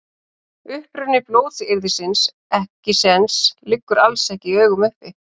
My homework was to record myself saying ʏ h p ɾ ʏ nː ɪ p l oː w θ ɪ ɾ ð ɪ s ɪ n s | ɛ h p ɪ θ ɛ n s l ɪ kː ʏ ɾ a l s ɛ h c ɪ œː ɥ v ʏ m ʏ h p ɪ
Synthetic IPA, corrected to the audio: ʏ h p ɾ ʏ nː ɪ p l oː w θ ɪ ɾ ð ɪ s ɪ n s | ɛ h c ɪ s ɛ n s l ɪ kː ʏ ɾ a l s ɛ h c ɪ œː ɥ ɣ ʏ m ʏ h p ɪ